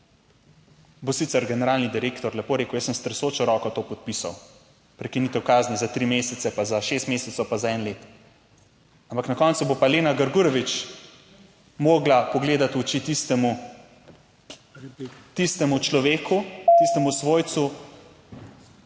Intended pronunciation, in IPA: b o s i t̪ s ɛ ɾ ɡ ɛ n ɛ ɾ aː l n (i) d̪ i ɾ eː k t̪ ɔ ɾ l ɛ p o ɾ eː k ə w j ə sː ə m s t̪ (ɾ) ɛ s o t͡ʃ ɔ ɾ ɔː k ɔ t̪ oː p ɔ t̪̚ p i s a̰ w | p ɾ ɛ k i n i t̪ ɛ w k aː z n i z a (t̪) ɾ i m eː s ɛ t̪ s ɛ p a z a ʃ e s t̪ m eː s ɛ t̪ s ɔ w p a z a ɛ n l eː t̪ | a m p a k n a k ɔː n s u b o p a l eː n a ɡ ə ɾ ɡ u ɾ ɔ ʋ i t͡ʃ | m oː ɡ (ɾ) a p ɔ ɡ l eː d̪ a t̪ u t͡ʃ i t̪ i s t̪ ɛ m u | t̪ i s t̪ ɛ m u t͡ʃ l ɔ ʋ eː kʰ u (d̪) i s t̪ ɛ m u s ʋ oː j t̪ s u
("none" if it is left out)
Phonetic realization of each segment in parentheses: i, ɾ, t̪, l, t̪

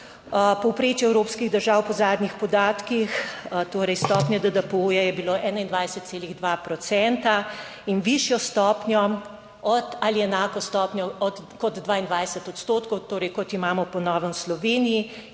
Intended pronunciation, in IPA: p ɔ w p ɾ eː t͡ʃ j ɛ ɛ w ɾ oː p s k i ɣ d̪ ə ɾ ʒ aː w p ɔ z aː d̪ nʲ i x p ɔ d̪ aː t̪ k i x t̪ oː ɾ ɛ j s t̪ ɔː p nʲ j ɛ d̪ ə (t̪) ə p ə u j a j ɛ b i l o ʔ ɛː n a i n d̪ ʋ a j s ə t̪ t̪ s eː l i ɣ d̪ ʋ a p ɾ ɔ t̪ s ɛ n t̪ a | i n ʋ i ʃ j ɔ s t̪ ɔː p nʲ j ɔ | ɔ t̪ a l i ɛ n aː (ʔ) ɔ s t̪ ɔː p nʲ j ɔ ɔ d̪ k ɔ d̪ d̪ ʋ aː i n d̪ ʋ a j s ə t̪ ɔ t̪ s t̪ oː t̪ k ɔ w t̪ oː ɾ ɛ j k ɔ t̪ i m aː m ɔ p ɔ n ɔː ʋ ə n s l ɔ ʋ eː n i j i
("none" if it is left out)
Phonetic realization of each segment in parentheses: d̪, k

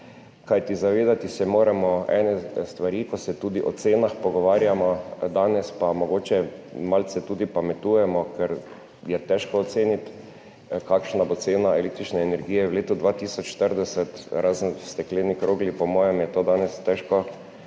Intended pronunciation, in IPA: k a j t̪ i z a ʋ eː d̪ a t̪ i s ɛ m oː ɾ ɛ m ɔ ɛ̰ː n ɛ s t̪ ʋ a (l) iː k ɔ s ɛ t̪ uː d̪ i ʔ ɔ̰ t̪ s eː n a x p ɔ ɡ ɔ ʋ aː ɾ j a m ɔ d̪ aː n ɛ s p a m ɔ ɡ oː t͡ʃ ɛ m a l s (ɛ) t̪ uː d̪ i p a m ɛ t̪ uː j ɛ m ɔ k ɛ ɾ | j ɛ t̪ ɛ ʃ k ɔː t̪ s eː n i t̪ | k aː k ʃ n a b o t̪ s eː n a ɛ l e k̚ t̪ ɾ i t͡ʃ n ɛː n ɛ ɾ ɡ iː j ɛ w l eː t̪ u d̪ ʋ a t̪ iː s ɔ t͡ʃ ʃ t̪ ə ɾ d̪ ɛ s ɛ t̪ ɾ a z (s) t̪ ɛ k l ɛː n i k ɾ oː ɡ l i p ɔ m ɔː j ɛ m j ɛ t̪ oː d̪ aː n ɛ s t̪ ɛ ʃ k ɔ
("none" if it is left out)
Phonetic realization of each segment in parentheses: ɾ, ɛ, s

